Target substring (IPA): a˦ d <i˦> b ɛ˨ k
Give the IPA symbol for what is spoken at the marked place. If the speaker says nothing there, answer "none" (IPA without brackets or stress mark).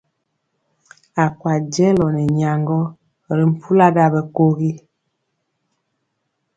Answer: a˦